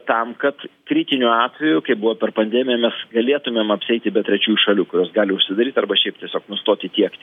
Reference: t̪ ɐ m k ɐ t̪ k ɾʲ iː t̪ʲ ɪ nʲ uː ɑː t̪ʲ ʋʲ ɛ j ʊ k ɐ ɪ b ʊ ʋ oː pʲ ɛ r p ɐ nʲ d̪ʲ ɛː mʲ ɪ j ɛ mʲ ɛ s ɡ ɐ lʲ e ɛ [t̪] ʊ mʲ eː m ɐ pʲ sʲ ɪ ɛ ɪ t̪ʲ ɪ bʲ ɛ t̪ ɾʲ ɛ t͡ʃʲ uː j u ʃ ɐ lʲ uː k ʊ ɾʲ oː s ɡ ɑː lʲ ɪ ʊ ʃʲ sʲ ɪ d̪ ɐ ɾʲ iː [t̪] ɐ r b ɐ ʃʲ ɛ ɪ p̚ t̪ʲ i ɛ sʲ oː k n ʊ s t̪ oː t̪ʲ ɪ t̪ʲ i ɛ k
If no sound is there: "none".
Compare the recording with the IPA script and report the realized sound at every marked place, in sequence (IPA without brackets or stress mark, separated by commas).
t̪, t̪